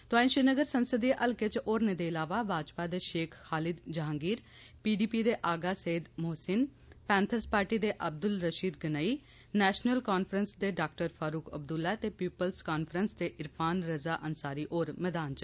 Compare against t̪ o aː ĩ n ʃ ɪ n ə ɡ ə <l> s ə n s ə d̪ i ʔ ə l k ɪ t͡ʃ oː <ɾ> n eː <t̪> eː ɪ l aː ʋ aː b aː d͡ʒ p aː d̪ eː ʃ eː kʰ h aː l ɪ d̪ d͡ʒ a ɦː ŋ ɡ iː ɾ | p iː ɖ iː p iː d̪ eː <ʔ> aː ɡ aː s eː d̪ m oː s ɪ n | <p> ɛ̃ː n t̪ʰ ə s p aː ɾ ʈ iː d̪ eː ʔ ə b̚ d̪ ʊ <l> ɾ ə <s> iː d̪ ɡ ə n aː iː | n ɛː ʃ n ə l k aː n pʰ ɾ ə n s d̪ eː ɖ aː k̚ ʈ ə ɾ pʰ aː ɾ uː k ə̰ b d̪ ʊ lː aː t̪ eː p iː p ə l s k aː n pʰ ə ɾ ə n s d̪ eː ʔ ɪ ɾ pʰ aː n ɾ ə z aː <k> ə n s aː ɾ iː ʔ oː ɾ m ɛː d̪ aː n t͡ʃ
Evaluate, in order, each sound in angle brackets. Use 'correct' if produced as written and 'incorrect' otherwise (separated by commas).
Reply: incorrect, correct, incorrect, correct, correct, correct, incorrect, incorrect